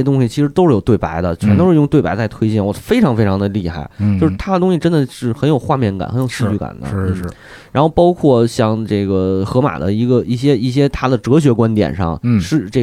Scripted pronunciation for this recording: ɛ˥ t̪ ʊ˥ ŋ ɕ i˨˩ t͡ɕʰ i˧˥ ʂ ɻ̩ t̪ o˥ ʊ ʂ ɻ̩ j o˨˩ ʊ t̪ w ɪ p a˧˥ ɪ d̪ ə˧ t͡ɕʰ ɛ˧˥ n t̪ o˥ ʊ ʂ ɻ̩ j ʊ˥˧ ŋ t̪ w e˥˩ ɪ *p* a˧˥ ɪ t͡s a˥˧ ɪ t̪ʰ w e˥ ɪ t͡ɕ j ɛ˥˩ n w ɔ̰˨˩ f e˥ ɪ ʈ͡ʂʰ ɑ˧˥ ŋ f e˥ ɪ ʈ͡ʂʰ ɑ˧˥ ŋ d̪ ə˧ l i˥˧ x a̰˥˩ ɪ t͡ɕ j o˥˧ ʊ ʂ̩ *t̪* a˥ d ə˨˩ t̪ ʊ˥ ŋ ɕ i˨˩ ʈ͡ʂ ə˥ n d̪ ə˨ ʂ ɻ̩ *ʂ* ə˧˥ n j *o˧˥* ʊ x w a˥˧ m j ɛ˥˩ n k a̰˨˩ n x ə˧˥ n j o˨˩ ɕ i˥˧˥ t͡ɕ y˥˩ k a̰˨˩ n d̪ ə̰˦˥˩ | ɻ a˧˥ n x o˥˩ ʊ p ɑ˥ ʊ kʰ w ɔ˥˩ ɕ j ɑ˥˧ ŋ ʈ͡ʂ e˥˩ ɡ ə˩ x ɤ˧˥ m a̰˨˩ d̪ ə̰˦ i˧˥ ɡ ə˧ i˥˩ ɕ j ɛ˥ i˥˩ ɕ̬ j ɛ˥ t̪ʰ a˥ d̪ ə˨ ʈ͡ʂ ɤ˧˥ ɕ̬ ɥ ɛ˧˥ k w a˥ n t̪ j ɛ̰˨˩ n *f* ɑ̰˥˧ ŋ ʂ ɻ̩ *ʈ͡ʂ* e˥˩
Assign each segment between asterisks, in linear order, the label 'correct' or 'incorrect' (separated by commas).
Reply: correct, incorrect, incorrect, incorrect, incorrect, correct